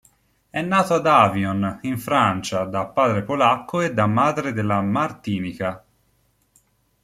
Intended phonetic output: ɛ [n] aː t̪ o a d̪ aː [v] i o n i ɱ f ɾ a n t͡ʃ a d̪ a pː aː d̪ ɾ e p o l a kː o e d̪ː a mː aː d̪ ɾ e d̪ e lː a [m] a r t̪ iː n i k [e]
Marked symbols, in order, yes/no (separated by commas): no, yes, yes, no